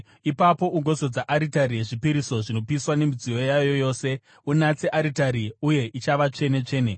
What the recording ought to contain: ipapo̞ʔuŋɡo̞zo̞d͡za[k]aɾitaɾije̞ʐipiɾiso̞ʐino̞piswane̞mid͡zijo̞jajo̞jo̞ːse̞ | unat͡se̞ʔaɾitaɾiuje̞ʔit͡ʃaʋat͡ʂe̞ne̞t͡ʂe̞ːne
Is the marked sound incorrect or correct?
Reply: incorrect